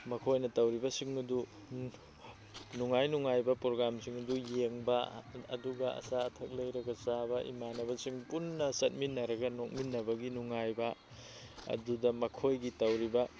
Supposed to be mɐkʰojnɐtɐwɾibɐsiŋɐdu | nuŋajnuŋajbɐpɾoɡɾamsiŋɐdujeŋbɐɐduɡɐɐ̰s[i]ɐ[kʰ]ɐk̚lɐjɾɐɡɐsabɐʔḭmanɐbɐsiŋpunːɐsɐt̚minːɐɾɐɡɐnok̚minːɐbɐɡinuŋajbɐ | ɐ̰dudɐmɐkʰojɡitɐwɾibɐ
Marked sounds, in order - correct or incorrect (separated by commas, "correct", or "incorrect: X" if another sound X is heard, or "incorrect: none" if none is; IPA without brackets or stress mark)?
incorrect: a, incorrect: tʰ